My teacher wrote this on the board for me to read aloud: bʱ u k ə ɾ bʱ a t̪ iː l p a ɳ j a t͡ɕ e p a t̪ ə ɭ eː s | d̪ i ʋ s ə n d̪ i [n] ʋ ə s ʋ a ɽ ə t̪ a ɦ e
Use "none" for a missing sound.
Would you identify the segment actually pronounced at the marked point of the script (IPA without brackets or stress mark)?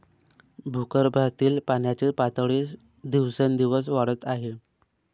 none